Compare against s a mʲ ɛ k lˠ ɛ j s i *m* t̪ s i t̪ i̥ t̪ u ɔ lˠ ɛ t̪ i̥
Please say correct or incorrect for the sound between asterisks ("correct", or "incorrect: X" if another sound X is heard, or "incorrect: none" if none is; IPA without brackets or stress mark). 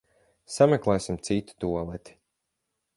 correct